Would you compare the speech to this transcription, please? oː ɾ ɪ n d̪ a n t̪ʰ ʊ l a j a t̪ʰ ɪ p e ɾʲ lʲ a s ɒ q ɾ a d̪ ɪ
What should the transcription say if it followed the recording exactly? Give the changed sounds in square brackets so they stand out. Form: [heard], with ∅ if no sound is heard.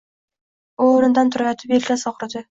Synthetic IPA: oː ɾ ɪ n d̪ a n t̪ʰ ʊ [ɾ] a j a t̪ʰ ɪ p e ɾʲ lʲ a s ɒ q ɾ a d̪ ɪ